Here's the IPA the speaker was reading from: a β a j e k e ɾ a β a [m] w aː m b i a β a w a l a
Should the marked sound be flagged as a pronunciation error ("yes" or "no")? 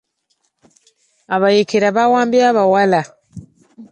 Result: yes